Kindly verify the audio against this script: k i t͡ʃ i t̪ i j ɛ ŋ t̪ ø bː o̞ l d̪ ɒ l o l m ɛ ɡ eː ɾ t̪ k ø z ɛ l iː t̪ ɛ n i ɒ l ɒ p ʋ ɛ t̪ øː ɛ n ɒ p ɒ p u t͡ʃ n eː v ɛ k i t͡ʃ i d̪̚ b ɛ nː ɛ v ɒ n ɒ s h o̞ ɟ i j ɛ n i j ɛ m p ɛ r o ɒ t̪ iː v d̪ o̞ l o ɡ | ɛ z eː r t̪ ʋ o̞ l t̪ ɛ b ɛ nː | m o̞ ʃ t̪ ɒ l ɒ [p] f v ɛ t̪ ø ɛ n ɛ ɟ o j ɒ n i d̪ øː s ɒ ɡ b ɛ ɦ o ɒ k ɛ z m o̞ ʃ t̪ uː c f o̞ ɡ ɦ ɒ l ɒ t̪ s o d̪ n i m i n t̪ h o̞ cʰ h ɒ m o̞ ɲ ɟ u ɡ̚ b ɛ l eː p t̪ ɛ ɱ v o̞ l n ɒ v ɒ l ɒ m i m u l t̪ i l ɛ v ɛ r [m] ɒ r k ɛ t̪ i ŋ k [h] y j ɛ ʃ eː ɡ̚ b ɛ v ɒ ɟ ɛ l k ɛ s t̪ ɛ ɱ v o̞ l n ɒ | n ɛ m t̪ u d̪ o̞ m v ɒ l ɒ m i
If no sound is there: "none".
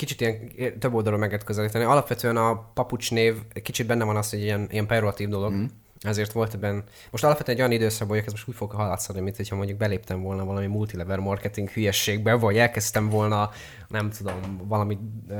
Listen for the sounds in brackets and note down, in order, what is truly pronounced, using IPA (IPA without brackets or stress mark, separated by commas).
p, m, h